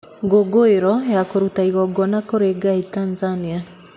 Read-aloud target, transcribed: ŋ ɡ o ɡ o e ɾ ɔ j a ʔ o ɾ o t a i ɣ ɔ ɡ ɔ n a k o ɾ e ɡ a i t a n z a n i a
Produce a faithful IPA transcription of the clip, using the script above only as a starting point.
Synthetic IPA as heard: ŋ ɡ o ɡ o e ɾ ɔ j a k o ɾ u t a i ɣ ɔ ɡ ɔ n a k o ɾ e ɡ a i t a n z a n i a